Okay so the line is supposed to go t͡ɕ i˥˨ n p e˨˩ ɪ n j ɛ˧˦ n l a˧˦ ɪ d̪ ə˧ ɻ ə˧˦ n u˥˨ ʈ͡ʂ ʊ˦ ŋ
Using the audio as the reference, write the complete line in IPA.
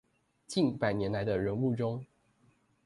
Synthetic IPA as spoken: t͡ɕ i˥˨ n p a˨˩ ɪ n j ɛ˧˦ n l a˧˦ ɪ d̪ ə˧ ɻ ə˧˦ n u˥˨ ʈ͡ʂ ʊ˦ ŋ